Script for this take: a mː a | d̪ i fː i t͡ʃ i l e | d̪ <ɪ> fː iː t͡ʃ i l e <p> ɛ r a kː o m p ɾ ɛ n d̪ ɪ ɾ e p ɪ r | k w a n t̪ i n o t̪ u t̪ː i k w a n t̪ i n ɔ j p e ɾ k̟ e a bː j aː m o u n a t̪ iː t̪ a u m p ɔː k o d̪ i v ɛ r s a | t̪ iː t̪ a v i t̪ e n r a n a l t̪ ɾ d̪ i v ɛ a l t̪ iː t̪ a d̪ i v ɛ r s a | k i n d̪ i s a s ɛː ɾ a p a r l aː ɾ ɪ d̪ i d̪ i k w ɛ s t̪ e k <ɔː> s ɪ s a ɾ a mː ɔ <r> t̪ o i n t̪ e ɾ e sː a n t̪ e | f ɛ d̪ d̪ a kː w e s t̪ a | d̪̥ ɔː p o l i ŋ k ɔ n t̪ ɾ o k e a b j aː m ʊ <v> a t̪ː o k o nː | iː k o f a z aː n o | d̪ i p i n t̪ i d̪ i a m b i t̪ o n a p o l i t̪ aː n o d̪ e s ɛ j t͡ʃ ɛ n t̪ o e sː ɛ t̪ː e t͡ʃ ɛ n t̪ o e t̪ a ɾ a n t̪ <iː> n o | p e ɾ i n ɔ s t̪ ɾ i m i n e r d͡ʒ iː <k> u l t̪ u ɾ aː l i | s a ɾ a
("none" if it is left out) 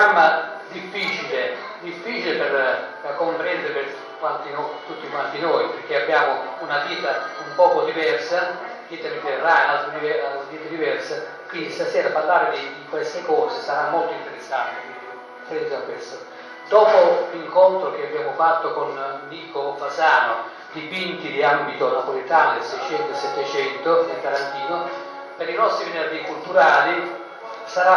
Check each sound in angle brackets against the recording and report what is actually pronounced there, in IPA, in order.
i, p, ɔː, l, f, iː, k

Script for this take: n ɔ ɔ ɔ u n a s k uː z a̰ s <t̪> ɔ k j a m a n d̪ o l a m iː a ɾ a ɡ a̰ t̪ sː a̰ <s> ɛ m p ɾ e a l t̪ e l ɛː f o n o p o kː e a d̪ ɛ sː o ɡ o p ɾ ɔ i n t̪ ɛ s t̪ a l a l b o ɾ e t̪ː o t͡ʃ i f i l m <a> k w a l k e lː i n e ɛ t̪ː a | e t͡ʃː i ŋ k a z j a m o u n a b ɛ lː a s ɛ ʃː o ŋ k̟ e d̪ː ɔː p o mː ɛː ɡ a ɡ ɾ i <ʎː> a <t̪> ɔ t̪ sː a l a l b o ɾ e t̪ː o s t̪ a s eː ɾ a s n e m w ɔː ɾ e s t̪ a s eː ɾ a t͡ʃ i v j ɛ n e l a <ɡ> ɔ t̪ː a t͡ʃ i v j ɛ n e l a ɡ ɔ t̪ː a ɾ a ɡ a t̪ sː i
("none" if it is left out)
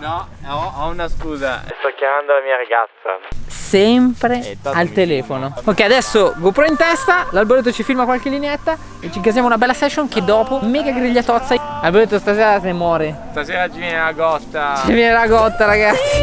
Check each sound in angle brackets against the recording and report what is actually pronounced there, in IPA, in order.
t̪, s, a, ʎː, t̪, ɡ

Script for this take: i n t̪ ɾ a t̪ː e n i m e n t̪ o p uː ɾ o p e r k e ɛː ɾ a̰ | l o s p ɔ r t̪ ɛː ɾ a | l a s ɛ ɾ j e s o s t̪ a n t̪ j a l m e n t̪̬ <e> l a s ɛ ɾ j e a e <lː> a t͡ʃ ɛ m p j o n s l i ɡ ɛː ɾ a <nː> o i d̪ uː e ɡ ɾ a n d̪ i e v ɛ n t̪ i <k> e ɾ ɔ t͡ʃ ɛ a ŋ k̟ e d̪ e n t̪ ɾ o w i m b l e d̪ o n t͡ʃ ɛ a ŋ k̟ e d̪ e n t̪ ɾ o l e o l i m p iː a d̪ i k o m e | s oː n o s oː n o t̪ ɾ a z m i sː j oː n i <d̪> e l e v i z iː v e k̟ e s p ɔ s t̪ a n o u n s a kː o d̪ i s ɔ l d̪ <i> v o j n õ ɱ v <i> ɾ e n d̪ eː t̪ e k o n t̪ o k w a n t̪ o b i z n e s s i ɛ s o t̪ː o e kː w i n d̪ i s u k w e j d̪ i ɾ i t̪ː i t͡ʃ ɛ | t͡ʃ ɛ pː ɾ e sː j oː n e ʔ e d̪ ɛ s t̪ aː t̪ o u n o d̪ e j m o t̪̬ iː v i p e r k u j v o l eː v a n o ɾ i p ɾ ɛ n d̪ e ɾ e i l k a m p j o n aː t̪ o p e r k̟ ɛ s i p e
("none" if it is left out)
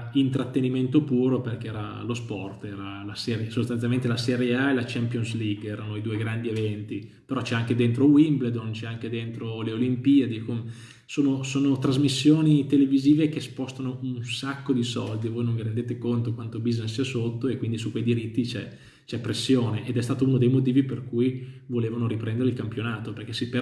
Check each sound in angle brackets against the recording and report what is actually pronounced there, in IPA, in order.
e, l, n, p, t̪, i, i

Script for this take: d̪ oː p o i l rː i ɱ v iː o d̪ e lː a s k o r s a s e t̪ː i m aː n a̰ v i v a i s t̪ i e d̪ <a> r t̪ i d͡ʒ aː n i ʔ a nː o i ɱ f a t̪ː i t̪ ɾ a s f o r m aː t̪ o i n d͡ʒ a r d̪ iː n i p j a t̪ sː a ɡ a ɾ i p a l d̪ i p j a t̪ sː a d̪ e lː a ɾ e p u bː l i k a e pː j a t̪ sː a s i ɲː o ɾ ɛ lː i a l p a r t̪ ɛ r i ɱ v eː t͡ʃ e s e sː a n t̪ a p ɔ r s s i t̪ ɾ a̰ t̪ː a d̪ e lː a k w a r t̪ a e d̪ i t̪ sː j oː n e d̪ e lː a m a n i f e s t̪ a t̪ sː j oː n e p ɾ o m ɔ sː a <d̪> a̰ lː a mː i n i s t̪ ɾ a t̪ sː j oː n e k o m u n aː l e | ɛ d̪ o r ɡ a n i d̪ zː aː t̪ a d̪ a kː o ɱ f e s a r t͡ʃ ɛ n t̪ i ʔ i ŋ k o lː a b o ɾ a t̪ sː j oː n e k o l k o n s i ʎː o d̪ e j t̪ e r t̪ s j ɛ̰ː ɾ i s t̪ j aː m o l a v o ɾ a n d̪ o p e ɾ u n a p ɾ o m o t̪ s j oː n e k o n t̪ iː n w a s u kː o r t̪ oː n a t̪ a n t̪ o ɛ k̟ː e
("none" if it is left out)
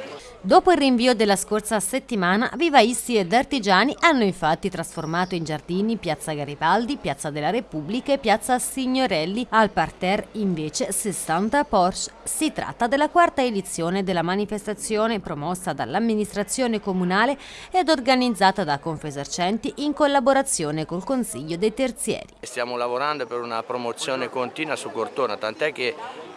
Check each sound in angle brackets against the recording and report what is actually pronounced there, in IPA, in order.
a, d̪

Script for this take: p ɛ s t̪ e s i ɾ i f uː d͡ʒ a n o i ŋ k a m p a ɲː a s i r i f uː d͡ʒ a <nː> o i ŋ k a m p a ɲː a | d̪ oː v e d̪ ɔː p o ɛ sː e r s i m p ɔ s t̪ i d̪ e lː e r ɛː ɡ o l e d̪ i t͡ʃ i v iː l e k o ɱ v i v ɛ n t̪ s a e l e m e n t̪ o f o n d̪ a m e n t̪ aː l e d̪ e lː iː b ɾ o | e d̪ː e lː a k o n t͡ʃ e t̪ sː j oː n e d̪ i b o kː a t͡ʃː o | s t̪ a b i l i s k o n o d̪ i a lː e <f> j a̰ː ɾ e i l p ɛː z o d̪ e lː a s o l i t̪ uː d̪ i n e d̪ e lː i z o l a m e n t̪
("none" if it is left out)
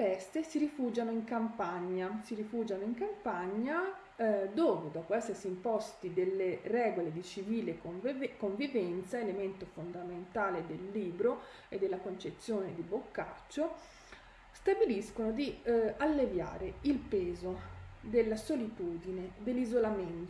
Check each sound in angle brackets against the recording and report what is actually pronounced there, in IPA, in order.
n, v

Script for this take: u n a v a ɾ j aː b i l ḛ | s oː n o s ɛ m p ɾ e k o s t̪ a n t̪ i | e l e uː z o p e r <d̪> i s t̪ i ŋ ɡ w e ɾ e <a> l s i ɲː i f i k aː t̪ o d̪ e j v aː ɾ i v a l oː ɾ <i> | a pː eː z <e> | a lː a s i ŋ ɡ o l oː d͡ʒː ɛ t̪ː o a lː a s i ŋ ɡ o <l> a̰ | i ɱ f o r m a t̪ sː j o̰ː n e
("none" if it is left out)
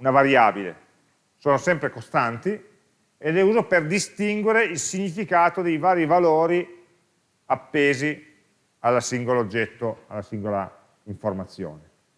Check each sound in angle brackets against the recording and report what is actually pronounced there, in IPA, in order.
d̪, i, i, i, l

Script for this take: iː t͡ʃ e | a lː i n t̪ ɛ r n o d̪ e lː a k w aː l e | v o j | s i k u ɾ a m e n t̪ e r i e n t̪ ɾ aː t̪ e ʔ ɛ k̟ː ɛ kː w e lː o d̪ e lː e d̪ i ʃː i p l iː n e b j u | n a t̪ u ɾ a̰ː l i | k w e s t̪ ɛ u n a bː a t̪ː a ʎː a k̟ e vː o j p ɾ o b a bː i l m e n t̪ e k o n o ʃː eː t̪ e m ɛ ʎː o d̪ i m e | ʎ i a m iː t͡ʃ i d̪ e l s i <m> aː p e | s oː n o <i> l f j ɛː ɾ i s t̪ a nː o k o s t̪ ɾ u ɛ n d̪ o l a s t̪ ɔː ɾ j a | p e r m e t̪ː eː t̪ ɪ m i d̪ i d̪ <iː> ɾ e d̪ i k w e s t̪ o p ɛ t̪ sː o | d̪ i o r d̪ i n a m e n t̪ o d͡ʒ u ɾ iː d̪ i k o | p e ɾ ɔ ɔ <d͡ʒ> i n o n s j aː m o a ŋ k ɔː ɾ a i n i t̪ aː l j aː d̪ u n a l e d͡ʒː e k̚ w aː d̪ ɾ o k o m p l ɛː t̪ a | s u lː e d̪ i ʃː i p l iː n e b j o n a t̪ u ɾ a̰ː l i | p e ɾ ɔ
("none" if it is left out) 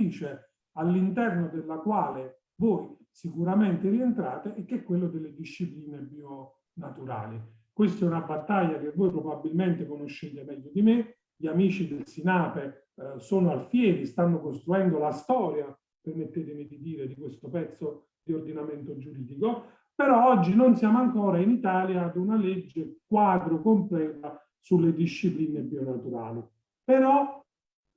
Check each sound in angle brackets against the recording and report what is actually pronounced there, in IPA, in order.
n, a, iː, d͡ʒː

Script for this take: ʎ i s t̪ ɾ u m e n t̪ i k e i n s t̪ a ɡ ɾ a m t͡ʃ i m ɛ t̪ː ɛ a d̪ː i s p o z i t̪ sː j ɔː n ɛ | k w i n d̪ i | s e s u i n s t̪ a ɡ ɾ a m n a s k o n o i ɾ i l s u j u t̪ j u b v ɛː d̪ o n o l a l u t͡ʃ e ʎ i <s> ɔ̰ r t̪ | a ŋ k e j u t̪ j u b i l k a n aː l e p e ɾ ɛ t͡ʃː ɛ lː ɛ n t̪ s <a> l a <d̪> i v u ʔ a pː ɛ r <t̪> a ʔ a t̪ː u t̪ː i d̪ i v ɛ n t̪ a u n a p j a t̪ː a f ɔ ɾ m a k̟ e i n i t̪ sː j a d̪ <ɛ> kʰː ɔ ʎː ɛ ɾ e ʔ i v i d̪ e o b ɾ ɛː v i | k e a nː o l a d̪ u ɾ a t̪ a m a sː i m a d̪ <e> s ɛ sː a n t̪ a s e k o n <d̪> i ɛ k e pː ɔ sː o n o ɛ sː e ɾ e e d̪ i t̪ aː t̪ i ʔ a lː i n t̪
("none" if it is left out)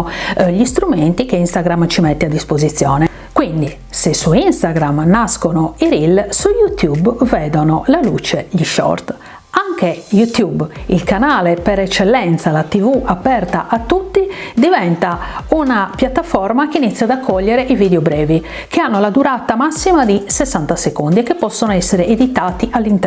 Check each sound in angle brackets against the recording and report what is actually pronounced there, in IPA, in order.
ʃ, a, t̪, t̪, a, i, d̪

